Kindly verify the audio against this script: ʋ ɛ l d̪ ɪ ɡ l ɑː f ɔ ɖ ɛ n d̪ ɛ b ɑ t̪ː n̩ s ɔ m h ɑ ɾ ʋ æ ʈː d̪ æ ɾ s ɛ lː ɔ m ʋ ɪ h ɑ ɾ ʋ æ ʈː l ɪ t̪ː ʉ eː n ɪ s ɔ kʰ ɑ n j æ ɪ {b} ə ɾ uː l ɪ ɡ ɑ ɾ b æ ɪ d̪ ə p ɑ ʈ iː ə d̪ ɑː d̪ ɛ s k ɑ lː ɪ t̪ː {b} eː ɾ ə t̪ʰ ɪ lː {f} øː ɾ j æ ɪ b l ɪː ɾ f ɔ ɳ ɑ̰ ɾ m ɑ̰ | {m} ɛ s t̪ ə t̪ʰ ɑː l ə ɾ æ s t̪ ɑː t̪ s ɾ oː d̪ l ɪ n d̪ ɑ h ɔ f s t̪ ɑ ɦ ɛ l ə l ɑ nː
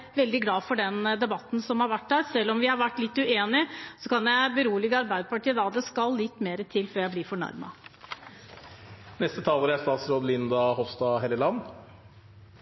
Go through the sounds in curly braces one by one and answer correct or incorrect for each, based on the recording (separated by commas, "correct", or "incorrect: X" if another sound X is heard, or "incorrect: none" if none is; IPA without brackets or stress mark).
correct, incorrect: m, correct, incorrect: n